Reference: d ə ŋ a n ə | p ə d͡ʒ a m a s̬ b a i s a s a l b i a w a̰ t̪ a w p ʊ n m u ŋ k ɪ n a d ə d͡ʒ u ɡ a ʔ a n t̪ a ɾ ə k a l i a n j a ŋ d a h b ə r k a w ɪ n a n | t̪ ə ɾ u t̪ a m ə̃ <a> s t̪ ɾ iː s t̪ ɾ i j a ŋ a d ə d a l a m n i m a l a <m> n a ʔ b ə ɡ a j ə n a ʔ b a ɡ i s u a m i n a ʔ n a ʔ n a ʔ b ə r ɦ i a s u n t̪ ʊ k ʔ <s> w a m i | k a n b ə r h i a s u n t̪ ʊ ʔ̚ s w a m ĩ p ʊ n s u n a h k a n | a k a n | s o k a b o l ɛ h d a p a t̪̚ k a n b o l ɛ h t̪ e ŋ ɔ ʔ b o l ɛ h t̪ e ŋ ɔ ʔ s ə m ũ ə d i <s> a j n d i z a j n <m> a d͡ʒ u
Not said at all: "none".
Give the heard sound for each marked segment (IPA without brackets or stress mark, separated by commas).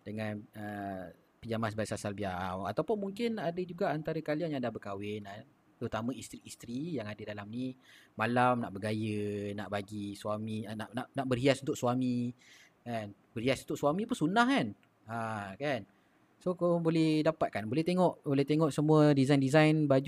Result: i, m, s, z, b